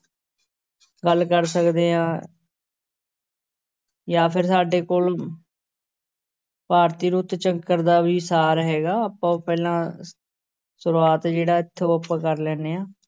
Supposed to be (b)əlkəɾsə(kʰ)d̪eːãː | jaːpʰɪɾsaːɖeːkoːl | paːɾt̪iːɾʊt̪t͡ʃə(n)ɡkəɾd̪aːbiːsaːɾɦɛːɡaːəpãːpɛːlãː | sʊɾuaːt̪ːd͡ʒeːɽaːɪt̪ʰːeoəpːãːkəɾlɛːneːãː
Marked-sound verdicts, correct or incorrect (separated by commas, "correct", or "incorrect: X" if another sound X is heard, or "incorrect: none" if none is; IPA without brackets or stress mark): incorrect: ɡ, incorrect: k, incorrect: ŋ